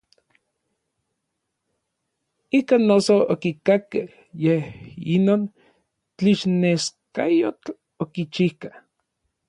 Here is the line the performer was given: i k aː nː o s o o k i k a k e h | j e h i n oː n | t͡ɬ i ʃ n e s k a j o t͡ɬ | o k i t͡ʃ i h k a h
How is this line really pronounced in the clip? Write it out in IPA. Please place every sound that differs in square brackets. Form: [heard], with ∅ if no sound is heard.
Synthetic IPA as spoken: i k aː nː o s o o k i k a k e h | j e h i n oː n | t͡ɬ i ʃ n e s k a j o t͡ɬ | o k i t͡ʃ i h k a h